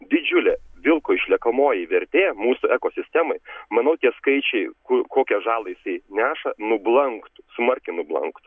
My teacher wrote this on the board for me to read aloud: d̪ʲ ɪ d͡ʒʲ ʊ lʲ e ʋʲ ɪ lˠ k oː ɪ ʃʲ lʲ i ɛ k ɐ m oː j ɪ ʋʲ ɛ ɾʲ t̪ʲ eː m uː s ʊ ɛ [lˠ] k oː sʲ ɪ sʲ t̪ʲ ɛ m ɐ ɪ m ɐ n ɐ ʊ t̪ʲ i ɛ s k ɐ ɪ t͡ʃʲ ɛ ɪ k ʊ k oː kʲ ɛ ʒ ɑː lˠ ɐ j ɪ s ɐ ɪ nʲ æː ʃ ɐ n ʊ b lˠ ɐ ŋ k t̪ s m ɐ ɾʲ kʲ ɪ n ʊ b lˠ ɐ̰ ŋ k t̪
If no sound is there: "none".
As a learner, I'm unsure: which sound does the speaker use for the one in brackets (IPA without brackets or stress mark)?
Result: none